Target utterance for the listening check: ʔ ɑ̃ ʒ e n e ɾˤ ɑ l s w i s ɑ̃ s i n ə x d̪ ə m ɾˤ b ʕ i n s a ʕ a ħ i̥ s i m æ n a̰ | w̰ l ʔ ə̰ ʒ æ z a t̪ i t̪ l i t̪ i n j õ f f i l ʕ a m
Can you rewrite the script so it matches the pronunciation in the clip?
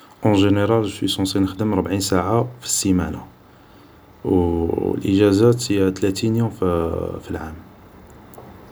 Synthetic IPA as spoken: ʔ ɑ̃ ʒ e n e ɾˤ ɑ l s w i s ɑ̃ s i n ə x d̪ ə m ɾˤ b ʕ i n s a ʕ a f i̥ s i m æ n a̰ | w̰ l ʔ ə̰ ʒ æ z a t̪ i t̪ l æ t̪ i n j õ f f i l ʕ a m